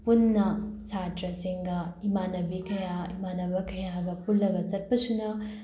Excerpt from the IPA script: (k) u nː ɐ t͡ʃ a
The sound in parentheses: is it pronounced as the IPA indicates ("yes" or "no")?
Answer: no